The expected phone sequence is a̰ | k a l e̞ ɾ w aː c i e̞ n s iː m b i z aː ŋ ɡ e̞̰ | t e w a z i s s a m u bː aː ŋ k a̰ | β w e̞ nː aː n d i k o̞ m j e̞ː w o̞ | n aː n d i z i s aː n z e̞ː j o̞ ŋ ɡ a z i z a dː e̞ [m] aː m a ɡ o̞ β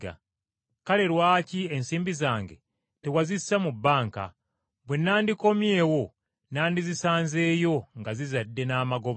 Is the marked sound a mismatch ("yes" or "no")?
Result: yes